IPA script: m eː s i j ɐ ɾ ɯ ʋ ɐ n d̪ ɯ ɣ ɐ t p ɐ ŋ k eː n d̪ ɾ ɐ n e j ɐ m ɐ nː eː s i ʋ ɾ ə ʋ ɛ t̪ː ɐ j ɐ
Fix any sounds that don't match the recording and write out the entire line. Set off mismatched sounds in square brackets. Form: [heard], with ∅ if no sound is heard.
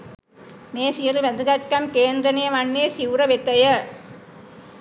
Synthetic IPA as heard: m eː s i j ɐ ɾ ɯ ʋ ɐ n d̪ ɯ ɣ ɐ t [k] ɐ [m] k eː n d̪ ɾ ɐ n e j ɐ m ɐ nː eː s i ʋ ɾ [ɐ] ʋ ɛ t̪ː ɐ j ɐ